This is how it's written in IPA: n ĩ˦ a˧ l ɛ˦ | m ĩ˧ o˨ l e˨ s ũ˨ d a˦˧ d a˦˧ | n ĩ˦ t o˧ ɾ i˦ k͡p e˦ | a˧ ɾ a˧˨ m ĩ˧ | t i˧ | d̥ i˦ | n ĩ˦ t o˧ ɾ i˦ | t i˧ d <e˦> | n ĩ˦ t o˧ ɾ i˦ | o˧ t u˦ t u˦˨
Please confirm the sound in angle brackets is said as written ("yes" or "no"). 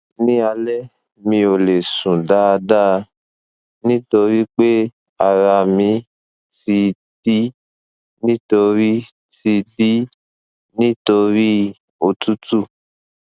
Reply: no